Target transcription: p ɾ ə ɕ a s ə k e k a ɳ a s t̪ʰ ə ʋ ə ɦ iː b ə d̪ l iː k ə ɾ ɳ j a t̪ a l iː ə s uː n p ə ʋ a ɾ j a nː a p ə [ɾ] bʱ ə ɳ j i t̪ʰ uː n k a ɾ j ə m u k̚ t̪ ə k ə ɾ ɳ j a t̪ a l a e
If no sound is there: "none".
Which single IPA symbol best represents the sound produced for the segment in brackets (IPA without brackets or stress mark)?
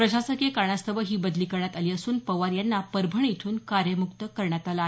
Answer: ɾ